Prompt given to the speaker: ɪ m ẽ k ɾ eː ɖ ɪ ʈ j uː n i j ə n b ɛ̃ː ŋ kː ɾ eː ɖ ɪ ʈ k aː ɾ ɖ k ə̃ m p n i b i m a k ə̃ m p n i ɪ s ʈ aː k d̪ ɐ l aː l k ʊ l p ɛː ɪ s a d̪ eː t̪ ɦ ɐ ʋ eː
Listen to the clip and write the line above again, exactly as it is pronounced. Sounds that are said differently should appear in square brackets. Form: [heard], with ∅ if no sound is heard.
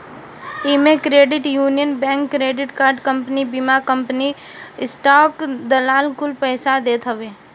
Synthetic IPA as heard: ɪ m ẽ k ɾ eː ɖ ɪ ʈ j uː n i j ə n b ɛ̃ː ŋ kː ɾ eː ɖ ɪ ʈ k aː ɾ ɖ k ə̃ m p n i b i m a k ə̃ m p n i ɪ s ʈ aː k d̪ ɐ l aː l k ʊ l p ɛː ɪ s a d̪ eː t̪ ɦ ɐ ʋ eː

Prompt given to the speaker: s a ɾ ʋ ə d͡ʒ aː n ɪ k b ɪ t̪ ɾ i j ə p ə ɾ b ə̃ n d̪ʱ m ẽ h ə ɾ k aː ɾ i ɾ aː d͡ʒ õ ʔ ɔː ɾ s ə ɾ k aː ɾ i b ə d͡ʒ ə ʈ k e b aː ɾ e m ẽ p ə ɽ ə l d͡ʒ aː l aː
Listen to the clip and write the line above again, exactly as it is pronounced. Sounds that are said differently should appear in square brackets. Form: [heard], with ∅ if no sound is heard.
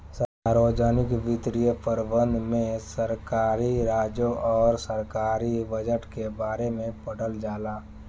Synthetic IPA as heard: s a ɾ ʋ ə d͡ʒ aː n ɪ k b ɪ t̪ ɾ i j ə p ə ɾ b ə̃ n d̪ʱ m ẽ [s] ə ɾ k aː ɾ i ɾ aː d͡ʒ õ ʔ ɔː ɾ s ə ɾ k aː ɾ i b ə d͡ʒ ə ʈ k e b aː ɾ e m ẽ p ə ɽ ə l d͡ʒ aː l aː

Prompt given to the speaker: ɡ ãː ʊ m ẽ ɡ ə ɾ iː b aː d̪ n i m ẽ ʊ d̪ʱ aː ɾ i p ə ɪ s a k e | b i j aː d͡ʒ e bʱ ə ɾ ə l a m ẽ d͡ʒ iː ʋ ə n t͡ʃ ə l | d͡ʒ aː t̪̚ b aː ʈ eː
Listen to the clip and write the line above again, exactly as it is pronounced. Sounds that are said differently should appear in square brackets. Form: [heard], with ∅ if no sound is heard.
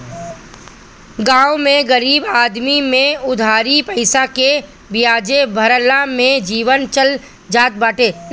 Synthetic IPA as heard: ɡ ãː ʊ m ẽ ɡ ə ɾ iː b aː d̪ [m] i m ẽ ʊ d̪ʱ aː ɾ i p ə ɪ s a k e | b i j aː d͡ʒ e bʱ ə ɾ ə l a m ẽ d͡ʒ iː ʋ ə n t͡ʃ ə l | d͡ʒ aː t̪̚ b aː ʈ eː

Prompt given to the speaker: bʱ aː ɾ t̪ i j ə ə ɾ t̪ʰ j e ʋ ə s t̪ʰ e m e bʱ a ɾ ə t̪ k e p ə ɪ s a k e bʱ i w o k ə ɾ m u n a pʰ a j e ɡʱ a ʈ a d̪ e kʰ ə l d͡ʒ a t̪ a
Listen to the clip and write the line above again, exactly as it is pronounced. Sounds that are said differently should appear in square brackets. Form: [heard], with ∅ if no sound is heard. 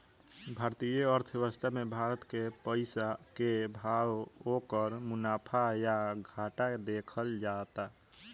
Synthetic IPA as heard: bʱ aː ɾ t̪ i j ə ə ɾ t̪ʰ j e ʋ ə s t̪ʰ [a] m e bʱ a ɾ ə t̪ k e p ə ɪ s a k e bʱ [a] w o k ə ɾ m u n a pʰ a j [a] ɡʱ a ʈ a d̪ e kʰ ə l d͡ʒ a t̪ a

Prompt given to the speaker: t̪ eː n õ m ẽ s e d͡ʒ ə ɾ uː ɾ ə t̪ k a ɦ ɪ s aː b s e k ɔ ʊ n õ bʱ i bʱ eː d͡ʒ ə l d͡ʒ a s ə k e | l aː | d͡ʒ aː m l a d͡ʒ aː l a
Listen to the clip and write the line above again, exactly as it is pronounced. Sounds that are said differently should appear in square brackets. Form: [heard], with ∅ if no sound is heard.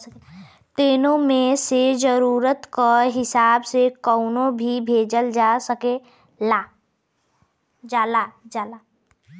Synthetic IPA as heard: t̪ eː n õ m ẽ s e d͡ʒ ə ɾ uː ɾ ə t̪ k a ɦ ɪ s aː b s e k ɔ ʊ n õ bʱ i bʱ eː d͡ʒ ə l d͡ʒ a s ə k e | l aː | d͡ʒ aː [∅] l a d͡ʒ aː l a

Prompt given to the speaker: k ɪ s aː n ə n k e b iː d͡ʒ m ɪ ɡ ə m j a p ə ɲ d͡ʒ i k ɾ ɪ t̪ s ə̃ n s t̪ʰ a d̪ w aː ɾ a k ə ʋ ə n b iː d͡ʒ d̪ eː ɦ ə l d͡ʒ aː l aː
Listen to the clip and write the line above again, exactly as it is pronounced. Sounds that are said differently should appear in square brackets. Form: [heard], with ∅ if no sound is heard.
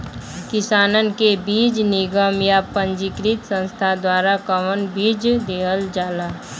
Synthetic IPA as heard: k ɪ s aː n ə n k e b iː d͡ʒ [n] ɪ ɡ ə m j a p ə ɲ d͡ʒ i k ɾ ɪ t̪ s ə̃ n s t̪ʰ a d̪ w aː ɾ a k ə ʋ ə n b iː d͡ʒ d̪ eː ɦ ə l d͡ʒ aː l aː

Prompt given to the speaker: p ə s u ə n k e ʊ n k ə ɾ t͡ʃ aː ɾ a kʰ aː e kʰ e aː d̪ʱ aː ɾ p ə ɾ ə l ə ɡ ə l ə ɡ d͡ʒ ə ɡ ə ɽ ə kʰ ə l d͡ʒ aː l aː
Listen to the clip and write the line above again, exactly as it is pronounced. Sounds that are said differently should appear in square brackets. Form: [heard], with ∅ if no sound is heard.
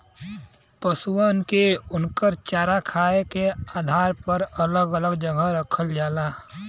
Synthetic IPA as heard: p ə s u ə n k e ʊ n k ə ɾ t͡ʃ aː ɾ a kʰ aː e [k] e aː d̪ʱ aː ɾ p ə ɾ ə l ə ɡ ə l ə ɡ d͡ʒ ə ɡ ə [ɾ] ə kʰ ə l d͡ʒ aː l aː

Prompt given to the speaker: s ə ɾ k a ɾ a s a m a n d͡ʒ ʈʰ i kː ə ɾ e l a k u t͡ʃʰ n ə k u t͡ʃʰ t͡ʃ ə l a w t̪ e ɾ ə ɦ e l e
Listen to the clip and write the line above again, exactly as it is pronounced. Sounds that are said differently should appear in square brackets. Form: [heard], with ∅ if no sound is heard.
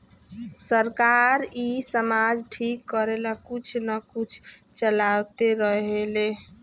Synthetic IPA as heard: s ə ɾ k a ɾ [i] s [ə] m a [∅] d͡ʒ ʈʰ i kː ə ɾ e l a k u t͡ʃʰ n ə k u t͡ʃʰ t͡ʃ ə l a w t̪ e ɾ ə ɦ e l e

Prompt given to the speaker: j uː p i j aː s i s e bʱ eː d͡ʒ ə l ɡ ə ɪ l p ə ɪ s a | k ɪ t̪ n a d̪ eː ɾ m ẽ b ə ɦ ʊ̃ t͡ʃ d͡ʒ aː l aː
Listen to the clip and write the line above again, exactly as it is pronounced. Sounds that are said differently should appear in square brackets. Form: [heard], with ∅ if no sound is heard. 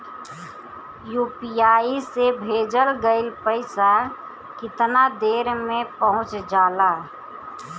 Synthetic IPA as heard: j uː p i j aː [∅] i s e bʱ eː d͡ʒ ə l ɡ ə ɪ l p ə ɪ s a | k ɪ t̪ n a d̪ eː ɾ m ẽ [p] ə ɦ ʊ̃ t͡ʃ d͡ʒ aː l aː

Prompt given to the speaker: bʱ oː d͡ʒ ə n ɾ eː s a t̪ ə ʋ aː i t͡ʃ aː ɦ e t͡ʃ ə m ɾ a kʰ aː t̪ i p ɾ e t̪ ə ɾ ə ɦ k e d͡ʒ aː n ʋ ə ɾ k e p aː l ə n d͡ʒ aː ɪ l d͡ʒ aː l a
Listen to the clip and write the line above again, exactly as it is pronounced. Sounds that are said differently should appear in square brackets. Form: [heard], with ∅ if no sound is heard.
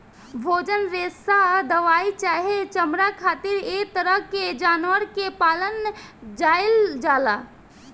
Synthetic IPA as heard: bʱ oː d͡ʒ ə n ɾ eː s a [d̪] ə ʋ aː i t͡ʃ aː ɦ e t͡ʃ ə m ɾ a kʰ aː t̪ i [∅] ɾ e t̪ ə ɾ ə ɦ k e d͡ʒ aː n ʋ ə ɾ k e p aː l ə n d͡ʒ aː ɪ l d͡ʒ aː l a

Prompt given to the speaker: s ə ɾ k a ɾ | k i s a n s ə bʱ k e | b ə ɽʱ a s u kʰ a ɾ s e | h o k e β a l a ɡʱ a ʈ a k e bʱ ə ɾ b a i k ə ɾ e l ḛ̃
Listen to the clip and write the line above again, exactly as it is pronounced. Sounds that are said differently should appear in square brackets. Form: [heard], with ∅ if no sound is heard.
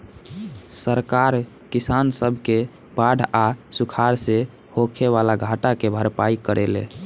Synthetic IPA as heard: s ə ɾ k a ɾ | k i s a n s ə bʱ k e | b [a] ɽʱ a s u kʰ a ɾ s e | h o [kʰ] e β a l a ɡʱ a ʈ a k e bʱ ə ɾ [p] a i k ə ɾ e l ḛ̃

